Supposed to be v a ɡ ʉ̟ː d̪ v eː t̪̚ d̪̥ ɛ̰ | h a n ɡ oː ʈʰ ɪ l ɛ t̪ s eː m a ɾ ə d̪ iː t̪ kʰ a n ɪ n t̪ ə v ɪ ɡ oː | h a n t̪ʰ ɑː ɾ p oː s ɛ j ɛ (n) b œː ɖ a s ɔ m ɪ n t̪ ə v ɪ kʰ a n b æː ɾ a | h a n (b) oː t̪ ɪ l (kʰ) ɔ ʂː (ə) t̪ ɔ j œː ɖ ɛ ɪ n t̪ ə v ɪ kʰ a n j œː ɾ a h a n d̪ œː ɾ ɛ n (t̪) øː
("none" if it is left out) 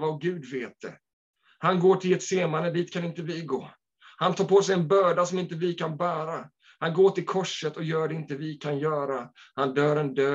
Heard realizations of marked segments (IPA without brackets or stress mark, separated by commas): n, ɡ, kʰ, ə, d̪